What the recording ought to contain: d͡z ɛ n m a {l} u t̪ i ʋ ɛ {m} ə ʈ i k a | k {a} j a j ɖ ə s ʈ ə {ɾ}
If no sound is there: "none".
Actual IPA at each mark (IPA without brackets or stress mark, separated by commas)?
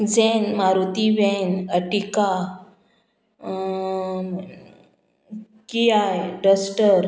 ɾ, n, i, ɾ